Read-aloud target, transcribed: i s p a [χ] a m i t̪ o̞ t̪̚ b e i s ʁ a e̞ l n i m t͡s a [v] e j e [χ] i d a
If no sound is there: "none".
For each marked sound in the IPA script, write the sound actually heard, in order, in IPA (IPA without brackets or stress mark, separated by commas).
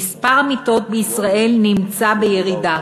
ʁ, b, ʁ